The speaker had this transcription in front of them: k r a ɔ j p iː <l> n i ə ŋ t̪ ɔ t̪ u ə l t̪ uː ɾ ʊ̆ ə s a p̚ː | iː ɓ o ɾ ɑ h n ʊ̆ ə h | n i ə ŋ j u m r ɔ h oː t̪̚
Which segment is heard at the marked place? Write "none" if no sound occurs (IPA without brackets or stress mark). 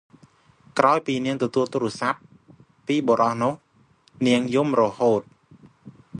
none